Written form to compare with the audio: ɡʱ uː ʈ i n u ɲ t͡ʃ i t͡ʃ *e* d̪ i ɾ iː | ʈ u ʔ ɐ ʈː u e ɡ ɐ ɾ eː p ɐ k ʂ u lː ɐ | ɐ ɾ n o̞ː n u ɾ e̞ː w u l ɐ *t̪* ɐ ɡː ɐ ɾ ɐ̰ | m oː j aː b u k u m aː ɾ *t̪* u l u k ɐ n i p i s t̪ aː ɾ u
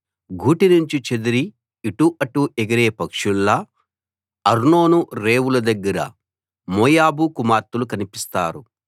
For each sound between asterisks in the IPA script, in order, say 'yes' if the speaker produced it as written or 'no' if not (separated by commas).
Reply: yes, no, yes